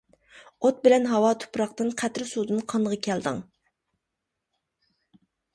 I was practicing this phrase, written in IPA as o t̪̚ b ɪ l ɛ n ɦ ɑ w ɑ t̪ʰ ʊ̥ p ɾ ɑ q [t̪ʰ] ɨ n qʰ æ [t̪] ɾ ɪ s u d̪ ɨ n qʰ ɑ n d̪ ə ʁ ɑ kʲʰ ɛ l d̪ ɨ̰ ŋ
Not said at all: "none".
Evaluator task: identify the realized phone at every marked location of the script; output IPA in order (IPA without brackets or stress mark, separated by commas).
t̪, t̪